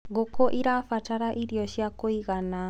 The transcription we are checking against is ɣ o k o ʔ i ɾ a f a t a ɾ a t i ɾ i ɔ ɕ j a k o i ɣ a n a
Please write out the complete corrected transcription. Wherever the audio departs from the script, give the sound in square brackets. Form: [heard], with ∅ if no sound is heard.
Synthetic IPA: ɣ o k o ʔ i ɾ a f a t a ɾ a [ʔ] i ɾ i ɔ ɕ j a k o i ɣ a n a